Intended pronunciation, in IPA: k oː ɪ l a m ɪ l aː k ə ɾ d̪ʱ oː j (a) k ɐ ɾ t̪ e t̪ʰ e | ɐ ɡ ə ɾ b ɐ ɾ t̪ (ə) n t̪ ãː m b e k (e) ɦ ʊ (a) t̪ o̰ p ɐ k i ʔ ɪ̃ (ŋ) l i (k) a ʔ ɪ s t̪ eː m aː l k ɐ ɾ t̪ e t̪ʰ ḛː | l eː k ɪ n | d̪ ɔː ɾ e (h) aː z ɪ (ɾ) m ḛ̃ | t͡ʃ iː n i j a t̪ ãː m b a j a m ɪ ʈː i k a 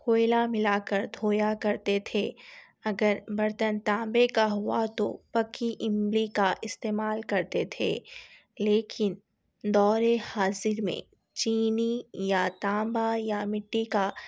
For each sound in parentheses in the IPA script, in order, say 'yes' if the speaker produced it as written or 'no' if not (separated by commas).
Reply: yes, yes, no, yes, no, yes, yes, yes